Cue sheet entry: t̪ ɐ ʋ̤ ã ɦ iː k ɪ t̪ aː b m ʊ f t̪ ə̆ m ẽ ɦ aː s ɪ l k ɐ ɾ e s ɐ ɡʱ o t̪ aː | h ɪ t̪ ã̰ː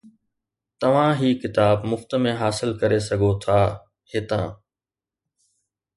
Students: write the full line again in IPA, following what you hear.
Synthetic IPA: t̪ ɐ ʋ̤ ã ɦ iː k ɪ t̪ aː b m ʊ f t̪ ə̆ m ẽ ɦ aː s ɪ l k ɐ ɾ e s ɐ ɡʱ o t̪ʰ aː | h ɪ t̪ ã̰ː